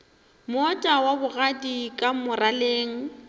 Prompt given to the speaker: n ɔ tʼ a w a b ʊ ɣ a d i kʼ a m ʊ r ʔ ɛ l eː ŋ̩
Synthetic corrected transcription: m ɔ tʼ a w a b ʊ ɣ a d i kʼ a m ʊ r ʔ a l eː ŋ̩